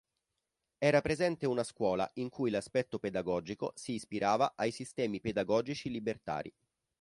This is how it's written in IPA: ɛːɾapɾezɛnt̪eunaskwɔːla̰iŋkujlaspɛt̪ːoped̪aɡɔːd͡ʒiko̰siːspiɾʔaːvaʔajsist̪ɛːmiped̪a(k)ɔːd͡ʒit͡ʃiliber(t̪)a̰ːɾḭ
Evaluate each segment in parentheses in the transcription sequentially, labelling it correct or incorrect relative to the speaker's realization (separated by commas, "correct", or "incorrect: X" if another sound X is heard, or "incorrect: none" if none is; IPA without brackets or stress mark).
incorrect: ɡ, correct